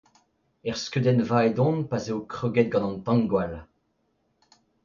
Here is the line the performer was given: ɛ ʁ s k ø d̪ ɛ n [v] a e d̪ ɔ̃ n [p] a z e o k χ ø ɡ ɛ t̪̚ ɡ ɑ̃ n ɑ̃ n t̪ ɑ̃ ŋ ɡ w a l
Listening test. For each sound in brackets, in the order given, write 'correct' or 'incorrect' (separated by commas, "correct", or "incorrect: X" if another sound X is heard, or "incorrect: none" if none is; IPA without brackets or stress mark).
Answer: correct, correct